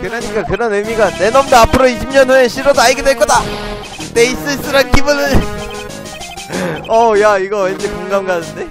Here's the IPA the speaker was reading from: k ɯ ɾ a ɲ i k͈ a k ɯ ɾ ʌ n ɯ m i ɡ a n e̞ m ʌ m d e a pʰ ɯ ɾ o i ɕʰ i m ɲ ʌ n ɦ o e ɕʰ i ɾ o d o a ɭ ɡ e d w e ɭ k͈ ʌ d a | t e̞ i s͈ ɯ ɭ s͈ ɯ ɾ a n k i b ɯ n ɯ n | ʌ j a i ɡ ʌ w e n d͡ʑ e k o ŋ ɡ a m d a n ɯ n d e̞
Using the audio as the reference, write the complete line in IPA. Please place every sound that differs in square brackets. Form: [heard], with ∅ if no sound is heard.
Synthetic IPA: k ɯ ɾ a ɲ i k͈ a k ɯ ɾ ʌ n ɯ m i ɡ a n e̞ [n] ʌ m d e a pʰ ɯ ɾ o i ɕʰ i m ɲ ʌ n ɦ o e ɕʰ i ɾ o d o a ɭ ɡ e d w e ɭ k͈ ʌ d a | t e̞ i s͈ ɯ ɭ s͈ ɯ ɾ a n k i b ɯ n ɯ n | ʌ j a i ɡ ʌ w e n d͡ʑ e k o ŋ ɡ a m [ɡ] a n ɯ n d e̞